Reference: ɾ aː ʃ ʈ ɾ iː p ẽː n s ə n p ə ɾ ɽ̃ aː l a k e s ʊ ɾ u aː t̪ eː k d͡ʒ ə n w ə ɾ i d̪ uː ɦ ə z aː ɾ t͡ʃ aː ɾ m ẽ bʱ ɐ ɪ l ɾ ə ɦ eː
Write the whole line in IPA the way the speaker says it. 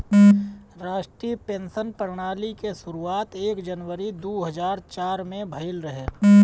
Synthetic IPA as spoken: ɾ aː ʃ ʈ ɾ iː p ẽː n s ə n p ə ɾ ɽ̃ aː l i k e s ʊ ɾ u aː t̪ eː k d͡ʒ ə n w ə ɾ i d̪ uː ɦ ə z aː ɾ t͡ʃ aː ɾ m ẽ bʱ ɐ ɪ l ɾ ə ɦ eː